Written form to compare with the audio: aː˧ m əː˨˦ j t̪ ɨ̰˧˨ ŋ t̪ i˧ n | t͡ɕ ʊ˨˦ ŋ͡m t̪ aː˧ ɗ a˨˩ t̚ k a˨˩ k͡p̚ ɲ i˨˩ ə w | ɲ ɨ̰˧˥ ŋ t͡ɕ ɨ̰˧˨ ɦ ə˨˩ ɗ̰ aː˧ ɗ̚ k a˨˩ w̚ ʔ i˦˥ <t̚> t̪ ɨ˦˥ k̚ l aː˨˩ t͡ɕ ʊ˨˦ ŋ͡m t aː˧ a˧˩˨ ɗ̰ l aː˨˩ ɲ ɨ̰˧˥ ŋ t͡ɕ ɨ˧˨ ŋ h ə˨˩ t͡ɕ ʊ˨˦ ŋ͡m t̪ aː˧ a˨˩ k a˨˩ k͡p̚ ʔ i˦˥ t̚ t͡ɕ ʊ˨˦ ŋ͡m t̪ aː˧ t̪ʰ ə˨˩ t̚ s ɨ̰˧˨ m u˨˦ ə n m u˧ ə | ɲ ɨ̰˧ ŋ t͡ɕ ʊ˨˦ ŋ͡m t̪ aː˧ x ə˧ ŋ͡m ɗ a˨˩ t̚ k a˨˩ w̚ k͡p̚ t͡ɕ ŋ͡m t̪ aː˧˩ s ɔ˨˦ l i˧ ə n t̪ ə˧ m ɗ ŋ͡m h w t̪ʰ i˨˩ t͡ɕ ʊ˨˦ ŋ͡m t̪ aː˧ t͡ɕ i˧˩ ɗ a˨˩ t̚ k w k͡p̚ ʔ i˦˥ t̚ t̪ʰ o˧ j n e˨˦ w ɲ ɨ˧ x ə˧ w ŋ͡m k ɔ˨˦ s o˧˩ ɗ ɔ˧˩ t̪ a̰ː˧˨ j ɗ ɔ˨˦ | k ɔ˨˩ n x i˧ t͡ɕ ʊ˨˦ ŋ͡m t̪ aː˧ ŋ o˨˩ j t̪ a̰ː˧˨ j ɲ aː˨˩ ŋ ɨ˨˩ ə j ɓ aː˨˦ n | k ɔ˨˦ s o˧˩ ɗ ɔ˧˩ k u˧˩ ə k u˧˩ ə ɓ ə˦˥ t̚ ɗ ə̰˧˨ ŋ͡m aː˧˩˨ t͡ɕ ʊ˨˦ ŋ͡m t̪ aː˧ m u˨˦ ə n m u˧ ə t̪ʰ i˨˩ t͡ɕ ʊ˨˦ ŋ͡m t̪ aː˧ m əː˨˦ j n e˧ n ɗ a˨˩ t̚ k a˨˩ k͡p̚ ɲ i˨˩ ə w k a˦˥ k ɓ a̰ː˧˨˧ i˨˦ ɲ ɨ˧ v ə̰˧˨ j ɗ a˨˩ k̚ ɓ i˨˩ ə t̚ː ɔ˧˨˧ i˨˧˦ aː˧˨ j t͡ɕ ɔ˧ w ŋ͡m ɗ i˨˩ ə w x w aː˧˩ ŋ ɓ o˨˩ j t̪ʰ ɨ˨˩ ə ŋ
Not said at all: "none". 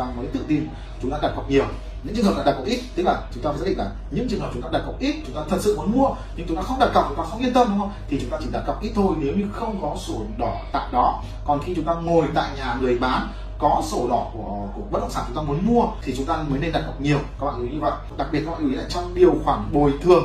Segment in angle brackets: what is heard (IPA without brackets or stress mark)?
t̚